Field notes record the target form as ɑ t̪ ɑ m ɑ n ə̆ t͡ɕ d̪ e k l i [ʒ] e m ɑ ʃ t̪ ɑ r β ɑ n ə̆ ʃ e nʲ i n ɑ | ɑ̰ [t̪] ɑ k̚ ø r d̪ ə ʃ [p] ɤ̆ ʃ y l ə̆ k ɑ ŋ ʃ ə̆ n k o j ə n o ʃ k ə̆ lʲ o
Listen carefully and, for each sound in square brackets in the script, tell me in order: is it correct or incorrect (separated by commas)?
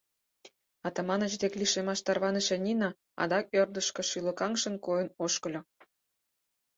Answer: incorrect, incorrect, incorrect